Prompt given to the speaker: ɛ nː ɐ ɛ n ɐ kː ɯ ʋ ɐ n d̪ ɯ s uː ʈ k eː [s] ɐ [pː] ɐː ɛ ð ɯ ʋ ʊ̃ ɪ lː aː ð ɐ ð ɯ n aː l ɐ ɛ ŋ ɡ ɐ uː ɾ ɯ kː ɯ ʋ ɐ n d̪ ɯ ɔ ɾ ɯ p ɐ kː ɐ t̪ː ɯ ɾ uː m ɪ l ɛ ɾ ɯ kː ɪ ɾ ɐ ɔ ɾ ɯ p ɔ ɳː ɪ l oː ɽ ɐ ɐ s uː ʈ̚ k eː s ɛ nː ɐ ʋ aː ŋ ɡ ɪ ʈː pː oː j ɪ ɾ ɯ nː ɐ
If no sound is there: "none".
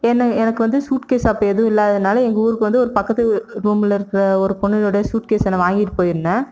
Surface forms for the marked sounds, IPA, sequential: s, pː

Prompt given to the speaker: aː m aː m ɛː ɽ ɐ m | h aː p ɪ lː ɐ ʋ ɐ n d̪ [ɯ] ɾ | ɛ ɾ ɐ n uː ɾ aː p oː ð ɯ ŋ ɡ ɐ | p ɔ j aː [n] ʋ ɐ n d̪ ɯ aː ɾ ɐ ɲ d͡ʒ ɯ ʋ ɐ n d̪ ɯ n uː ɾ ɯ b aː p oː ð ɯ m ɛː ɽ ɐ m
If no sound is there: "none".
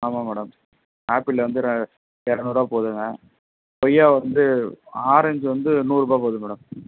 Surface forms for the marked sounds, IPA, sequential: ɯ, none

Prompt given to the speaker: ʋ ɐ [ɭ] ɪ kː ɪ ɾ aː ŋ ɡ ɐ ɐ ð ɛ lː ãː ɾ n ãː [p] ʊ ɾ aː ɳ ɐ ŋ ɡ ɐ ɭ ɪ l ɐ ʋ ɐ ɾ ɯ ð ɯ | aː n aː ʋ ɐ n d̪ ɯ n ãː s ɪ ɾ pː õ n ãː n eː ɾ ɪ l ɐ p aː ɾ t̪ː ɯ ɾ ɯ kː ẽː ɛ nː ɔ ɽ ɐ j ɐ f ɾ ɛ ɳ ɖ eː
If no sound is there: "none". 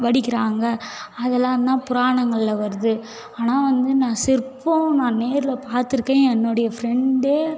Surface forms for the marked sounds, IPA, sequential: ɽ, p

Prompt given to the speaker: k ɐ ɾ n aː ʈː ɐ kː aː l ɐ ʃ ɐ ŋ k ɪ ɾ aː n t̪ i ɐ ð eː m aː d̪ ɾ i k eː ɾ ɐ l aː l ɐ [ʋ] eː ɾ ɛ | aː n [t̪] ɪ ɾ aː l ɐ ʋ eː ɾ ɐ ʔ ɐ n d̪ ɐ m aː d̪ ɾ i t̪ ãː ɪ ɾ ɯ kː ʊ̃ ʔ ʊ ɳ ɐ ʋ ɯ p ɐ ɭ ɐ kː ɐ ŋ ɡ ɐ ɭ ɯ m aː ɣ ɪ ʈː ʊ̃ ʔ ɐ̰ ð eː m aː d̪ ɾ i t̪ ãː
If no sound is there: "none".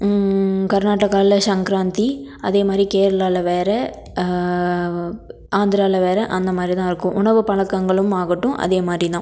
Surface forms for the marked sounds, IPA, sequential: ʋ, d̪

